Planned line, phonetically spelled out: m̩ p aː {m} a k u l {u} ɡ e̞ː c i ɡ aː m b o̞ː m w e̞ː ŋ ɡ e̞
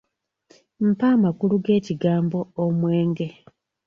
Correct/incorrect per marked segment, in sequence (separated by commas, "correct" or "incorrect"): correct, correct